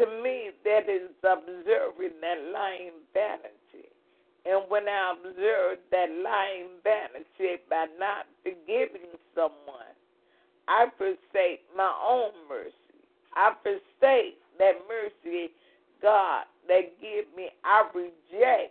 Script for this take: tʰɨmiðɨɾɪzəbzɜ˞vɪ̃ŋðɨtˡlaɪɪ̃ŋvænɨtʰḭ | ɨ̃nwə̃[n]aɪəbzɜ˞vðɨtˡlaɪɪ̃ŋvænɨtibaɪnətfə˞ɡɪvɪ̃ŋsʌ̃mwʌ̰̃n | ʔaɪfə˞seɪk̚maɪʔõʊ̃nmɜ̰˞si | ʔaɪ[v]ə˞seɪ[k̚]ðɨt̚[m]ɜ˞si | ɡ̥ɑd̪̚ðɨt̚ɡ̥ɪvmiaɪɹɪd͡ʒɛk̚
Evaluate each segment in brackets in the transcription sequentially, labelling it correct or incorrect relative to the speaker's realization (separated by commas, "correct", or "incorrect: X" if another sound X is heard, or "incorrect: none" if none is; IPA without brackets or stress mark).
correct, incorrect: f, correct, correct